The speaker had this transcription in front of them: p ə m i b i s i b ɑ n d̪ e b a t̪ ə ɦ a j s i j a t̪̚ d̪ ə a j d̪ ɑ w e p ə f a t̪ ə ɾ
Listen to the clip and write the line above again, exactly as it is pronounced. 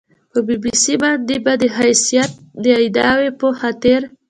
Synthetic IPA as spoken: p ə b i b i s i b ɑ n d̪ e b a d̪ ə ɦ a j s i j a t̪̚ d̪ ə a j d̪ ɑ w e p ə x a t̪ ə ɾ